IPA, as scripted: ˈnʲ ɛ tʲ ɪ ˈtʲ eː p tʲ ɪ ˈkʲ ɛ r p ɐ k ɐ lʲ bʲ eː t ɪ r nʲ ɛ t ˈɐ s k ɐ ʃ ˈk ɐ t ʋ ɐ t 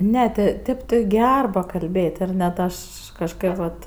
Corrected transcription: ˈnʲ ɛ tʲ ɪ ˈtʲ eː p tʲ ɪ ˈɡʲ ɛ r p ɐ k ɐ lʲ bʲ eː t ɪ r nʲ ɛ t ˈɐ ʃ k ɐ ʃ ˈk ɐ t ʋ ɐ t